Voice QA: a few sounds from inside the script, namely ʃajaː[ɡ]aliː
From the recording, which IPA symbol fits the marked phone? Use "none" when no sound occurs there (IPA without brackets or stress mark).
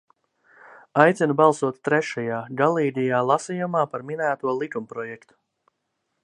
ɡ